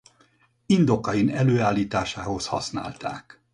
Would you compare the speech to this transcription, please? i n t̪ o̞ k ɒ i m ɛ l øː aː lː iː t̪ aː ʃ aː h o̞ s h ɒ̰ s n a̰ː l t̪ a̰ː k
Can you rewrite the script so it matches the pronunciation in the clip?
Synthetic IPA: i n d̪ o̞ k ɒ i n ɛ l øː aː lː iː t̪ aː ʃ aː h o̞ s h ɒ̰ s n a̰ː l t̪ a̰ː k